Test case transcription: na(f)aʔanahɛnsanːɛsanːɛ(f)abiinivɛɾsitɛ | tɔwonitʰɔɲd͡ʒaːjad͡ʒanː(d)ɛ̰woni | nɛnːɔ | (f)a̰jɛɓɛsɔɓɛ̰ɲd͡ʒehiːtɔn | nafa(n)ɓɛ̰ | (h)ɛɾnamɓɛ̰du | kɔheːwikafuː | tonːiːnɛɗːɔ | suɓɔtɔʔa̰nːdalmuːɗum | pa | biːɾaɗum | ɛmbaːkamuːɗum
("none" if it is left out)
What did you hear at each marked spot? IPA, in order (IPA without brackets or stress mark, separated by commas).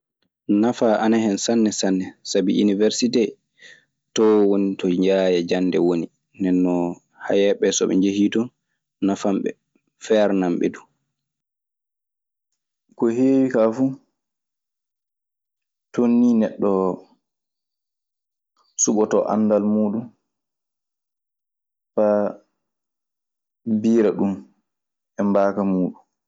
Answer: f, s, d, h, m, f